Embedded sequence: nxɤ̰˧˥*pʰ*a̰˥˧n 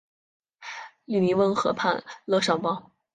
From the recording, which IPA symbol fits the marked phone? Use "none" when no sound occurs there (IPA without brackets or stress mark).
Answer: pʰ